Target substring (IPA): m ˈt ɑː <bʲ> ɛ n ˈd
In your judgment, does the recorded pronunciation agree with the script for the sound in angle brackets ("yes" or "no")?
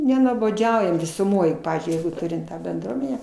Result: yes